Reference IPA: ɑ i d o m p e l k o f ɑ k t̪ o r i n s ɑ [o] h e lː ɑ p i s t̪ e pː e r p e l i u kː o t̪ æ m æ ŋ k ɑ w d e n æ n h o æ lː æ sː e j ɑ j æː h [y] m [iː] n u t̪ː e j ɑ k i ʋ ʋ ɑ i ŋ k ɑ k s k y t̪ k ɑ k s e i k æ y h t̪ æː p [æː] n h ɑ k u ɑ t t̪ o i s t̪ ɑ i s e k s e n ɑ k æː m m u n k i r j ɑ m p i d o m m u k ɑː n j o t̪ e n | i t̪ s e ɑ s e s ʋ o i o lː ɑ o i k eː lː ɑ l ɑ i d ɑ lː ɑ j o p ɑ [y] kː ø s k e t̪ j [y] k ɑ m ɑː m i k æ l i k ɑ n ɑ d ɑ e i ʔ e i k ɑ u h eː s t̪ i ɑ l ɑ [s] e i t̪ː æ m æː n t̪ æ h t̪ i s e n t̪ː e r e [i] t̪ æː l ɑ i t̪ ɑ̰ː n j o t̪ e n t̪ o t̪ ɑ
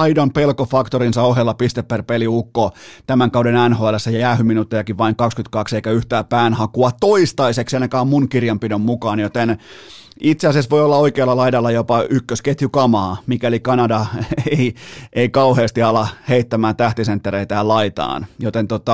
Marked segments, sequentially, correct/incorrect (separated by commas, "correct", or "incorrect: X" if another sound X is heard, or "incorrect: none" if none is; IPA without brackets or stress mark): correct, correct, incorrect: i, correct, correct, correct, incorrect: h, correct